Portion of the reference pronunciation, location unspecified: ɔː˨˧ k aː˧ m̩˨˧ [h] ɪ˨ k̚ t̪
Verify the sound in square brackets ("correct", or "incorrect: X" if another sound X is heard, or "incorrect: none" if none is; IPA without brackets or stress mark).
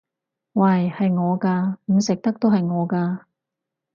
incorrect: s